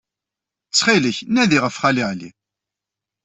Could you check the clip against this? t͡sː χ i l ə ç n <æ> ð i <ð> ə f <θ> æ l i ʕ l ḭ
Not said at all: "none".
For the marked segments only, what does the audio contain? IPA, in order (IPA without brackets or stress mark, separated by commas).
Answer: æ, ʁ, χ